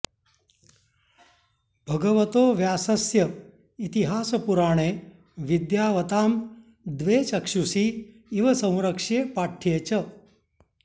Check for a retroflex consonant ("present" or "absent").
present